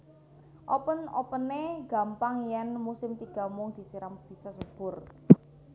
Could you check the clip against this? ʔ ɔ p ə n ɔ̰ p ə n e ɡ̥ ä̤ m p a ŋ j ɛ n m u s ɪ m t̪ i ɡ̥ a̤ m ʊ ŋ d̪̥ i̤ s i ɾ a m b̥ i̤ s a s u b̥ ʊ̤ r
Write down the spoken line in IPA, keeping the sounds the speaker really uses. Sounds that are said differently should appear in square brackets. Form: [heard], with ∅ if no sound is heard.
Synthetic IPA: ʔ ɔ p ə n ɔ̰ p ə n e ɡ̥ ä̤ m p a ŋ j ɛ n m u s ɪ m t̪ i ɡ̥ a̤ m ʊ ŋ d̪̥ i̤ s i ɾ a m b̥ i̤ s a s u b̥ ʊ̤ r